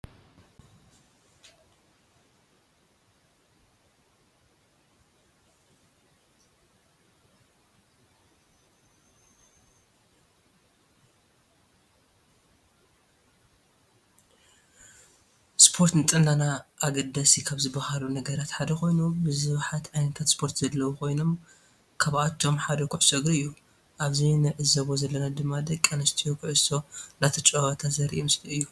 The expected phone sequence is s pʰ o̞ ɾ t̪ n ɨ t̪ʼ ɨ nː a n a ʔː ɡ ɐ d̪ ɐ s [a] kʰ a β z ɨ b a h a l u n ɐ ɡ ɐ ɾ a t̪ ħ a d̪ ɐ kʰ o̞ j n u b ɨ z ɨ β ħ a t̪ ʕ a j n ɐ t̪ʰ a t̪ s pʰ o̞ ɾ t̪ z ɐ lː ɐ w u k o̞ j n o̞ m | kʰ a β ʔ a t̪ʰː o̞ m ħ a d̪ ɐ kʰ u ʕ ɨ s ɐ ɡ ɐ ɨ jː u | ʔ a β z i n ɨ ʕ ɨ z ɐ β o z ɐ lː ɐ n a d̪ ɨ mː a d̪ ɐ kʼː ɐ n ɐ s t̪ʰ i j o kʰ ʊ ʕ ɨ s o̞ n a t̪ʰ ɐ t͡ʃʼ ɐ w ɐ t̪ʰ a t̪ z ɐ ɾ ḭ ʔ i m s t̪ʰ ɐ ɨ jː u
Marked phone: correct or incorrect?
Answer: incorrect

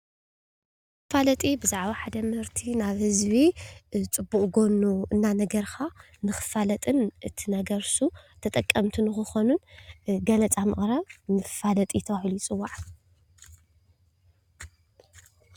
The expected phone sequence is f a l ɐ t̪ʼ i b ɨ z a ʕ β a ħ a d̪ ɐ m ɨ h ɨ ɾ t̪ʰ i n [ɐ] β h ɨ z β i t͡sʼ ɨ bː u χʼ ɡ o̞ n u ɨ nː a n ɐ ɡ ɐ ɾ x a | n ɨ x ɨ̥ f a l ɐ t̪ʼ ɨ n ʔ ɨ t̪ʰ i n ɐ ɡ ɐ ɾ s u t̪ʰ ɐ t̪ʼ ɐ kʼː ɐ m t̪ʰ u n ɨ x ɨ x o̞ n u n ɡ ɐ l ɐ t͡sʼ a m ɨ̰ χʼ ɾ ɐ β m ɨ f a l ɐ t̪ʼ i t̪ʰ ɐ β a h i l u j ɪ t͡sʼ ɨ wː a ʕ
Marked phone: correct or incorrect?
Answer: incorrect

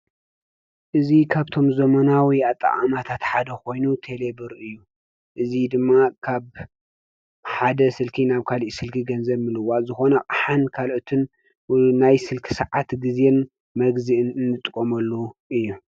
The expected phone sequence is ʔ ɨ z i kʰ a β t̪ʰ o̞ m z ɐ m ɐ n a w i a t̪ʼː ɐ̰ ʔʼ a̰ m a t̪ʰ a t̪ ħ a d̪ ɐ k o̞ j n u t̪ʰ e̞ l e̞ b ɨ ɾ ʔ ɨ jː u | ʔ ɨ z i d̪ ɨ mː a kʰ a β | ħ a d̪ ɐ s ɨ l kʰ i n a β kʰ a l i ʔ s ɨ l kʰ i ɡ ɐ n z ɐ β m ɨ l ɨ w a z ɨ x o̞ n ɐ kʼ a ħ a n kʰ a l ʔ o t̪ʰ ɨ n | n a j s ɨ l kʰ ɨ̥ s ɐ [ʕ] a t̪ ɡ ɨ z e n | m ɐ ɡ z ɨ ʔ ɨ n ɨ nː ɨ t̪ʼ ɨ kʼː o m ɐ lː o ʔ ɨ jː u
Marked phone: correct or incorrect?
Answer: correct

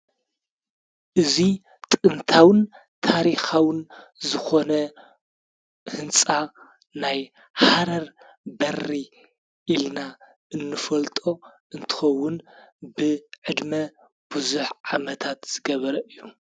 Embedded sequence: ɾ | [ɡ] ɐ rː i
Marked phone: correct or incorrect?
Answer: incorrect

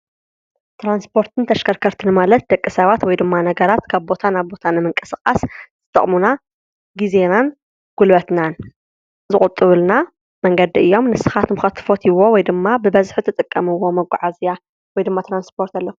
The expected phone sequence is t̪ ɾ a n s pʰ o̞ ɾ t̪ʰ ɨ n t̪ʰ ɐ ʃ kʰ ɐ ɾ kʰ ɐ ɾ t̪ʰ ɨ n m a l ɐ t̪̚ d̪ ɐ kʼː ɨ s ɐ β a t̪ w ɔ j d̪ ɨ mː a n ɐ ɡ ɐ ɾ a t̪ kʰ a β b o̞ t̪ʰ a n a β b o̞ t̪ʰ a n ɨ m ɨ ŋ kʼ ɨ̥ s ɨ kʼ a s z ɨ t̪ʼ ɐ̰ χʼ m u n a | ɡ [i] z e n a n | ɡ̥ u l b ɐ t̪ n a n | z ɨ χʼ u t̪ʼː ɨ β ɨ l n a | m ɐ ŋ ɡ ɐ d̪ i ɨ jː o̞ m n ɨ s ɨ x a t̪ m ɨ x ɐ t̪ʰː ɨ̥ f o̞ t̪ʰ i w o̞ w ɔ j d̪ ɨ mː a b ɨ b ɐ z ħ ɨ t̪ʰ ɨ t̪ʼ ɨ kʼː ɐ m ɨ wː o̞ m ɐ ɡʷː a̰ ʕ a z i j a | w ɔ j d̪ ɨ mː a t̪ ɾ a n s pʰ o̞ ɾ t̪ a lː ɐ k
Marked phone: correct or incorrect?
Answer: correct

